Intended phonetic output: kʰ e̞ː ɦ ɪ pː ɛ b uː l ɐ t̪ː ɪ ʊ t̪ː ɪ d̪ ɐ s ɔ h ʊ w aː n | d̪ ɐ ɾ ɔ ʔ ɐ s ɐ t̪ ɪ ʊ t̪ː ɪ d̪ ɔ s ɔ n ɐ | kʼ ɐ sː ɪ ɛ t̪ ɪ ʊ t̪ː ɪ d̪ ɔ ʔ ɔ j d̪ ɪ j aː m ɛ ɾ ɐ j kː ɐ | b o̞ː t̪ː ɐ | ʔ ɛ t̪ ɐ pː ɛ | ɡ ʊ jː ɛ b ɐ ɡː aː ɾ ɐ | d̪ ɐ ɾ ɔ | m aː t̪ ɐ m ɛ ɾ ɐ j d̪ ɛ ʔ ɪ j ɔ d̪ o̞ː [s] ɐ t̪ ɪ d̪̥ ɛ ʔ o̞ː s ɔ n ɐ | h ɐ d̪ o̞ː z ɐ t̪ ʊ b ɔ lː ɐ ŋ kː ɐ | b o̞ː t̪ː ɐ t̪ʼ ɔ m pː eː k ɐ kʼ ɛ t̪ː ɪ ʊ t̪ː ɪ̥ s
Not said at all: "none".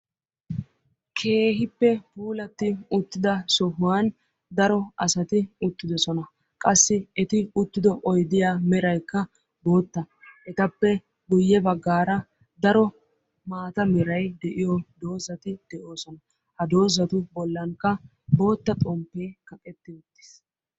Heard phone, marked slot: z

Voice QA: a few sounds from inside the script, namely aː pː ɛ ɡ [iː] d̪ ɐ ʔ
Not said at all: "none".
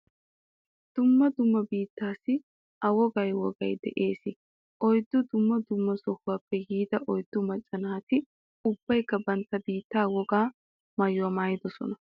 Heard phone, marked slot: iː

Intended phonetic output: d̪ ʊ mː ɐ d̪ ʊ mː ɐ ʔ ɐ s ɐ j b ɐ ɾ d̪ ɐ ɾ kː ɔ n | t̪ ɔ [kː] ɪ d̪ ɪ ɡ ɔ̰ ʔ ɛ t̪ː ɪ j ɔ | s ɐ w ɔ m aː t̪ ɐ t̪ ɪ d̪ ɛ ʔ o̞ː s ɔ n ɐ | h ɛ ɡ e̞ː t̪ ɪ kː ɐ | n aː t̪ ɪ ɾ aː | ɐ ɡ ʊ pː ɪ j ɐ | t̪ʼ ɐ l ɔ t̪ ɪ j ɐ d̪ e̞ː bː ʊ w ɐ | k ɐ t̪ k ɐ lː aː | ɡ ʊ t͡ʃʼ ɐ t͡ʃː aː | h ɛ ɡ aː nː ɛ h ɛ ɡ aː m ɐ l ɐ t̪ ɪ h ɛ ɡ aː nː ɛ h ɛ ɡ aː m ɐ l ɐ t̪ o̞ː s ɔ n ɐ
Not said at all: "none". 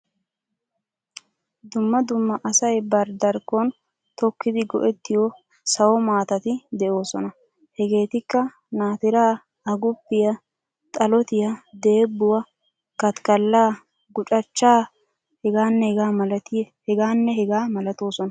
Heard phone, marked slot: kː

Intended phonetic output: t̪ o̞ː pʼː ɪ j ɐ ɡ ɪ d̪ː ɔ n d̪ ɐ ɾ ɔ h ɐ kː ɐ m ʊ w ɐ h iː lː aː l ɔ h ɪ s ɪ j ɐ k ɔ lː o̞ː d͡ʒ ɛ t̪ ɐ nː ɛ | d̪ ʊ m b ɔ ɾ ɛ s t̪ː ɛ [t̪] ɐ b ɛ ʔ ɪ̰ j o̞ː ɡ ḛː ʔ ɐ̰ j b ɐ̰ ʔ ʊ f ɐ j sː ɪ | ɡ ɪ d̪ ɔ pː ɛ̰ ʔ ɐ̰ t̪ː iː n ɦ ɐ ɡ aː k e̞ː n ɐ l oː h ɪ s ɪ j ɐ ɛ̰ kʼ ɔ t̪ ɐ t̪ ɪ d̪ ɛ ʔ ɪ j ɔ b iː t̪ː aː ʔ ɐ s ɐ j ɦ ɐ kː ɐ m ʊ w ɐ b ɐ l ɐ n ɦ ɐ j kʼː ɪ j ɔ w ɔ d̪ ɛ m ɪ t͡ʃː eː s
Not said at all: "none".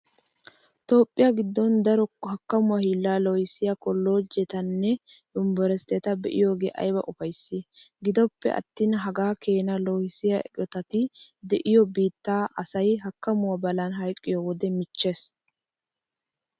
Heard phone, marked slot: t̪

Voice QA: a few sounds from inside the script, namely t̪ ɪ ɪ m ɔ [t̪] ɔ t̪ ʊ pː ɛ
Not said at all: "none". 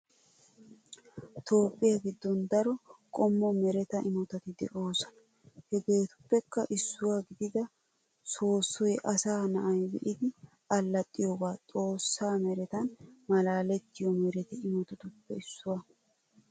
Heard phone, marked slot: t̪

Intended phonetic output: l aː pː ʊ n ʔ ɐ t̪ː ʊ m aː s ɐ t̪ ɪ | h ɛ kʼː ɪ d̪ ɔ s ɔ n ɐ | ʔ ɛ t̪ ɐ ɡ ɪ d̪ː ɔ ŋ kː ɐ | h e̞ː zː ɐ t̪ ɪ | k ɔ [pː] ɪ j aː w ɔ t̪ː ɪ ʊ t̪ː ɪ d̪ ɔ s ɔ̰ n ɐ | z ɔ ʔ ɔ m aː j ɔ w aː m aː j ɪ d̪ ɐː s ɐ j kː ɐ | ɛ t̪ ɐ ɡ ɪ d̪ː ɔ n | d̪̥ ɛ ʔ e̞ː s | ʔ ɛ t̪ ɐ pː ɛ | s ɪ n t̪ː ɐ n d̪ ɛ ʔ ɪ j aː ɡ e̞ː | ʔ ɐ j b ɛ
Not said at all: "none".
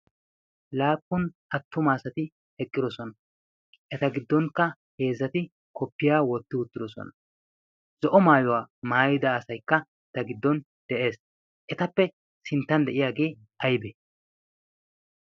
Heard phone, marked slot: pː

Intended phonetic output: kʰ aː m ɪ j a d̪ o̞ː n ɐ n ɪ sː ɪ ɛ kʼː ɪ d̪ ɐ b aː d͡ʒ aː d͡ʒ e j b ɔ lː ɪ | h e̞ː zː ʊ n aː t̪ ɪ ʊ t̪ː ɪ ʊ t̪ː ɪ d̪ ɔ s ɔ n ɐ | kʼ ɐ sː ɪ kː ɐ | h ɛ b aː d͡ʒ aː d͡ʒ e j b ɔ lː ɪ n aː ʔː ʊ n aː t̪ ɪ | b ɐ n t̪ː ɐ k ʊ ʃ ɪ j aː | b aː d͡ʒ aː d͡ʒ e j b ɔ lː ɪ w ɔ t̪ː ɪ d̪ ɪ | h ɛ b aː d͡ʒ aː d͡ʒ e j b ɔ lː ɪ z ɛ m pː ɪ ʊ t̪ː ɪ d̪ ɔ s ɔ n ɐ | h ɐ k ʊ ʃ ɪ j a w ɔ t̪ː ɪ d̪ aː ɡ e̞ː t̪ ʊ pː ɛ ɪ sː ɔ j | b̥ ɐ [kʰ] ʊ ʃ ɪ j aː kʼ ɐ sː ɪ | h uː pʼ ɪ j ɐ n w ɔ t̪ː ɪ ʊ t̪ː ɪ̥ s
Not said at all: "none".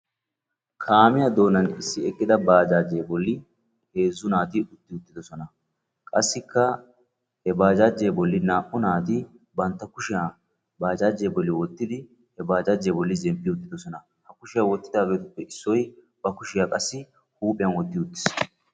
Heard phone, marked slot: k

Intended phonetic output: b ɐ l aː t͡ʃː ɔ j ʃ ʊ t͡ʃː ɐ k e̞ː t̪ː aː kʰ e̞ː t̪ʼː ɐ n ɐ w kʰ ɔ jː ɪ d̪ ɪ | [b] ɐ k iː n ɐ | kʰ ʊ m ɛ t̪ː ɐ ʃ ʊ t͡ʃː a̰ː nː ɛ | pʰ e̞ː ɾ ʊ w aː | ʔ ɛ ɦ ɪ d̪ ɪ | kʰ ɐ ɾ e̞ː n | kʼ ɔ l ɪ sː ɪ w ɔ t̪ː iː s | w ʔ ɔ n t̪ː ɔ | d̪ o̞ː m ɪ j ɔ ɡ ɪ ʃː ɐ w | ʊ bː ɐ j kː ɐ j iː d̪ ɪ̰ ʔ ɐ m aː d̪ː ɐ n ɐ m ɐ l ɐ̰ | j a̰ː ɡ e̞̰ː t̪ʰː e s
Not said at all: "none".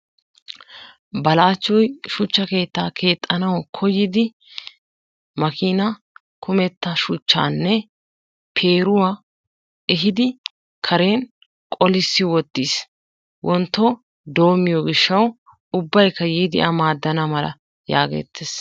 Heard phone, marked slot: m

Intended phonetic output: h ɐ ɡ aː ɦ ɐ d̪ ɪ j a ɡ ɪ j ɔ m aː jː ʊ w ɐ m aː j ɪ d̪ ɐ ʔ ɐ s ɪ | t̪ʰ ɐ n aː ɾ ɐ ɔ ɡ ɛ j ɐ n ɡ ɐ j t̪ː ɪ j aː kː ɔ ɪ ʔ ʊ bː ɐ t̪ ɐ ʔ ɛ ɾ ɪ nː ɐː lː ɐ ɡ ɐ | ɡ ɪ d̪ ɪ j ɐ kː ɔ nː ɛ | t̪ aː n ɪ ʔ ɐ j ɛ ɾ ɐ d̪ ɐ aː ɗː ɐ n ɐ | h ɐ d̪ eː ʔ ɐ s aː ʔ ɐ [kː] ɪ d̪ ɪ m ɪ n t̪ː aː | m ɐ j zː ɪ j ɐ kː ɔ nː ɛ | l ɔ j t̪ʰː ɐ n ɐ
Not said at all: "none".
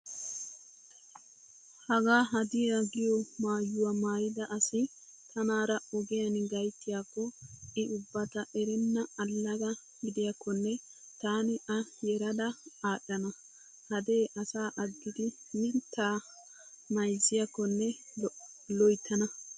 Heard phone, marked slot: ɡː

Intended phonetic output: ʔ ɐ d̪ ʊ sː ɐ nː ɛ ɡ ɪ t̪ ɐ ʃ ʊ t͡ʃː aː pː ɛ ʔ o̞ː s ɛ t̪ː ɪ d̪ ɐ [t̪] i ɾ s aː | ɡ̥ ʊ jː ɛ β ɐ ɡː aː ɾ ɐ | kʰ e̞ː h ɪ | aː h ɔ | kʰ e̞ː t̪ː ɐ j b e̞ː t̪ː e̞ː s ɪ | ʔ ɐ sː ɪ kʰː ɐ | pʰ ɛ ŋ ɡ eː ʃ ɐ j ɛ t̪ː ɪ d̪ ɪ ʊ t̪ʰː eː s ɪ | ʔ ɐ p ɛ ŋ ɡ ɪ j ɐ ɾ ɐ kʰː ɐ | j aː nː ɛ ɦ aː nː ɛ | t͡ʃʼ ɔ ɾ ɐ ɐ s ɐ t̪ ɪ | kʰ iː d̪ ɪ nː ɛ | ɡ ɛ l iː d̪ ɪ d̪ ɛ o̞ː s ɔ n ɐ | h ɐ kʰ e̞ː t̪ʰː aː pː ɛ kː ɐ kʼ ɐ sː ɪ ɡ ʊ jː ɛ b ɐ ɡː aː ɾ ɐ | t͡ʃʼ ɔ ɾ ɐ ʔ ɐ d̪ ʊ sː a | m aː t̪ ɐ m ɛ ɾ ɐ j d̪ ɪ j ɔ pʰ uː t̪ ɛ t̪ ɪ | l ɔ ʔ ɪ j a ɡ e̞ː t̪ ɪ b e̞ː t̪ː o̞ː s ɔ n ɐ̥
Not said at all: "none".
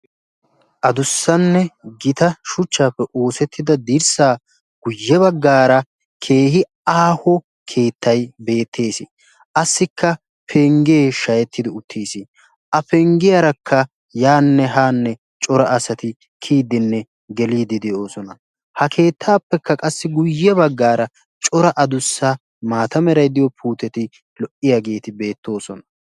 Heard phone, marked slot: d̪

